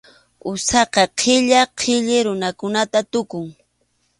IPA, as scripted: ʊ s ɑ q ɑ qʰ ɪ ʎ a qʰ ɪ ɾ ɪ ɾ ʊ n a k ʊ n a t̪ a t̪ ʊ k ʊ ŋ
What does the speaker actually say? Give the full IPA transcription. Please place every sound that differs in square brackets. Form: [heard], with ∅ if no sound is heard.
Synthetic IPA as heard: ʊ s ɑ q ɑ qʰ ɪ ʎ a qʰ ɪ [ʎ] ɪ ɾ ʊ n a k ʊ n a t̪ a t̪ ʊ k ʊ ŋ